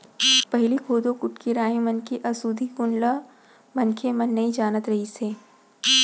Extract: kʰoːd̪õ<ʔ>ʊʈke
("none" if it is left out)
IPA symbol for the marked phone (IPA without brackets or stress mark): k